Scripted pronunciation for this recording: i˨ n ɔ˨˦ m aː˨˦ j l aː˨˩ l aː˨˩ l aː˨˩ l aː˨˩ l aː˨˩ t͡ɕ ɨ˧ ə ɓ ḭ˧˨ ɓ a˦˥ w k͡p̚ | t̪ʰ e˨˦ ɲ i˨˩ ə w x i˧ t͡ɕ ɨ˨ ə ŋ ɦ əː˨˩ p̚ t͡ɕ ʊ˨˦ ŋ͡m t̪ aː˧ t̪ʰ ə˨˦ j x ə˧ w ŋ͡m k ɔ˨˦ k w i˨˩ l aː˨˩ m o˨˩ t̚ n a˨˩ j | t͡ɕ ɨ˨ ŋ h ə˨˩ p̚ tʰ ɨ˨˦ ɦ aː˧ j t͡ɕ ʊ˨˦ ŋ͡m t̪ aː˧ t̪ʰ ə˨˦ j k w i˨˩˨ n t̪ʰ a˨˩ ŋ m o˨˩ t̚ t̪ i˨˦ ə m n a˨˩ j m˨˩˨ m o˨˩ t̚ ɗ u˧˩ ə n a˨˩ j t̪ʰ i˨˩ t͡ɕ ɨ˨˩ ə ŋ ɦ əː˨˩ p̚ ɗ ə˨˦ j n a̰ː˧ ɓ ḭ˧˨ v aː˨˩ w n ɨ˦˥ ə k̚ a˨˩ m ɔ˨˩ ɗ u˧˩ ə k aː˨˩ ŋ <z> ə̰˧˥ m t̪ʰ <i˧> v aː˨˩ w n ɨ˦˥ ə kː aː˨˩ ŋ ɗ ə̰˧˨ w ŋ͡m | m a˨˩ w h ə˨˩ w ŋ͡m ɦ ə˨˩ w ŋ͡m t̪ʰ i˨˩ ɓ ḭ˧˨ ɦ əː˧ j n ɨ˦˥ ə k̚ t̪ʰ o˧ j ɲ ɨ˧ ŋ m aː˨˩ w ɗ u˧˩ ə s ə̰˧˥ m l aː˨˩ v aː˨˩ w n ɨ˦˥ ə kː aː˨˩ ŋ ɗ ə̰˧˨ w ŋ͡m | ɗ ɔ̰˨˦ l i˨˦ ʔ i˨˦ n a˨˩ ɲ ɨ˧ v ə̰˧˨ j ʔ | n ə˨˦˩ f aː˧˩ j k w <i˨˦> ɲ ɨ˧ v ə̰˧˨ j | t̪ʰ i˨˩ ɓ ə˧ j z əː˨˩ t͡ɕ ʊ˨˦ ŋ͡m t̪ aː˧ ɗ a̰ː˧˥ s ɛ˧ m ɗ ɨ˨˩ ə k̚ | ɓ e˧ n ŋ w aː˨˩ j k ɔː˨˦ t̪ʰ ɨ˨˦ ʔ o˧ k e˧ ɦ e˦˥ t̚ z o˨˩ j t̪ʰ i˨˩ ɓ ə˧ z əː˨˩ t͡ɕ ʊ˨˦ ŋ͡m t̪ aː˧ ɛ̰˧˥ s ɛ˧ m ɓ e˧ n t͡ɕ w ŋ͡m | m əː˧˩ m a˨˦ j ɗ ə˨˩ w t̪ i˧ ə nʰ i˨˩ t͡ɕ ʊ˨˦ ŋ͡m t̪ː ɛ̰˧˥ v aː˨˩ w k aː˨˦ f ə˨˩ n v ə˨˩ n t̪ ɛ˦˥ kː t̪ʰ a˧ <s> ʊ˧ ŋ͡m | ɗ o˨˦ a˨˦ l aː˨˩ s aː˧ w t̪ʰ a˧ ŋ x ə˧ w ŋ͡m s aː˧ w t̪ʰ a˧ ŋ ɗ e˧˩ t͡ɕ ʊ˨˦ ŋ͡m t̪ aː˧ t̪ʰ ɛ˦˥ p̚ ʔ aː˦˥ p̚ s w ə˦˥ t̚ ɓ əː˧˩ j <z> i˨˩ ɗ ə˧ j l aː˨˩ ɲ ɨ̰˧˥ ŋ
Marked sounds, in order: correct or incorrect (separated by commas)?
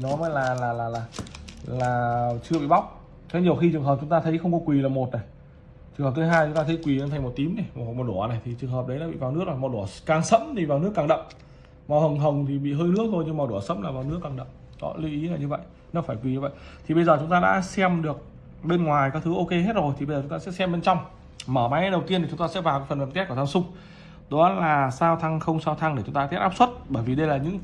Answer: incorrect, incorrect, incorrect, correct, incorrect